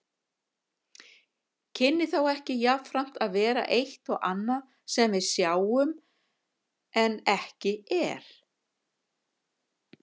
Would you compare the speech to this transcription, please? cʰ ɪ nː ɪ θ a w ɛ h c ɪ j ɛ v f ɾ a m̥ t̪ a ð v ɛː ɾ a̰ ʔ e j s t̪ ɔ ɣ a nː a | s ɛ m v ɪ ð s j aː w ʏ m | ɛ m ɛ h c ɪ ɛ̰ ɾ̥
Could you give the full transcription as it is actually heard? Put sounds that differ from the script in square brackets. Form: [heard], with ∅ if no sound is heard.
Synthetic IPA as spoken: cʰ ɪ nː ɪ θ a w ɛ h c ɪ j [a] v f ɾ a m̥ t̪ a ð v ɛː ɾ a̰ ʔ e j [h] t̪ ɔ ɣ a nː a | s ɛ m v ɪ ð s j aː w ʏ m | ɛ [n] ɛ h c ɪ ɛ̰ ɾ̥